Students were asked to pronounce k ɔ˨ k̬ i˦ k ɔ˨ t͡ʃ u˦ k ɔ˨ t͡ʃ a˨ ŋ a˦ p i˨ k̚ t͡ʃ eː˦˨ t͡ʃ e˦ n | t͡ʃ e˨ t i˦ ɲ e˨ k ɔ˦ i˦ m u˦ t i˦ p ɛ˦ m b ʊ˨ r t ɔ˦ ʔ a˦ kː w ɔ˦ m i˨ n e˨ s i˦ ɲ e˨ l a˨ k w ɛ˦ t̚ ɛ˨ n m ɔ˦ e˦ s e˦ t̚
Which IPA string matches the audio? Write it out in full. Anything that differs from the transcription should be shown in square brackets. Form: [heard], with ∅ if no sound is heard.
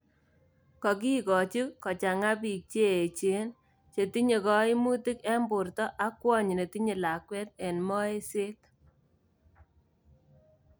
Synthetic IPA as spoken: k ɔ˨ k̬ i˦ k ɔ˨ t͡ʃ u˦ k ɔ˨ t͡ʃ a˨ ŋ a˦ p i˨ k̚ t͡ʃ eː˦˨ t͡ʃ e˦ n | t͡ʃ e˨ t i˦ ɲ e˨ k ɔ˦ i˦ m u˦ t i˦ [k] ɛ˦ m b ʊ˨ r t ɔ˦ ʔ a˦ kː w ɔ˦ [ɲ] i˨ n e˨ [t] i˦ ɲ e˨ l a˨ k w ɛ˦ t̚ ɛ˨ n m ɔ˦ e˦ s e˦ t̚